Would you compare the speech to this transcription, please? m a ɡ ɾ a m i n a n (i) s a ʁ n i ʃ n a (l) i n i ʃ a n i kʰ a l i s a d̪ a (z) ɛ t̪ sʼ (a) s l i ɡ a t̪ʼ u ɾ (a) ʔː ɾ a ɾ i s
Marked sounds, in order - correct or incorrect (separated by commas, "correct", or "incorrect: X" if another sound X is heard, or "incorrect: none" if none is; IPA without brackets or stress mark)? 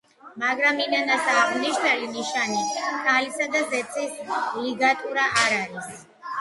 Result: incorrect: a, correct, correct, incorrect: i, correct